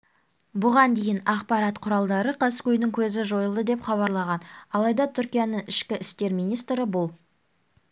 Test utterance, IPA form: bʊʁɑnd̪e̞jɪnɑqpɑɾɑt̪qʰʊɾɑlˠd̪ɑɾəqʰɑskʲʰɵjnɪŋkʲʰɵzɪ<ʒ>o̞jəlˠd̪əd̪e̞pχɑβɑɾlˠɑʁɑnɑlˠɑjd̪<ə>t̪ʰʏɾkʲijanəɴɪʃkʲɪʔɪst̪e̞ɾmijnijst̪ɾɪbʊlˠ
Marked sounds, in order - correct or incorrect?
correct, incorrect

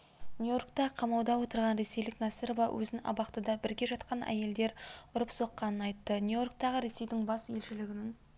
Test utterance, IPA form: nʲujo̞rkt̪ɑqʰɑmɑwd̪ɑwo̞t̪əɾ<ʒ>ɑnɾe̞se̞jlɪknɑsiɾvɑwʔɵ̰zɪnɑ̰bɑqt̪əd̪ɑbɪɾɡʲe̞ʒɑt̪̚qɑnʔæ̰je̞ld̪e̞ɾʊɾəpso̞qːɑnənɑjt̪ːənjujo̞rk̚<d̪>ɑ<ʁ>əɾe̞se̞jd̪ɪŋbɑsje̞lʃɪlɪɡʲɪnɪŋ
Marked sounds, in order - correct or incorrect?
incorrect, incorrect, correct

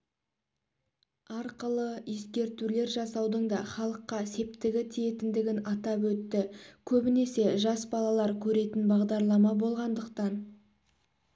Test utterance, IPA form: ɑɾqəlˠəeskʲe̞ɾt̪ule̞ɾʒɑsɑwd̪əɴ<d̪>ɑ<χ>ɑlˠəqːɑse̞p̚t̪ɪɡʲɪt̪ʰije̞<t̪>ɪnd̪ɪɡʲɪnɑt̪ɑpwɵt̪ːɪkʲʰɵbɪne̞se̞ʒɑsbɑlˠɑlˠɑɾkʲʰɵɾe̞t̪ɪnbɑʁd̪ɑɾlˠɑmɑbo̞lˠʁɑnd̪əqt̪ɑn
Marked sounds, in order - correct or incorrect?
correct, correct, correct

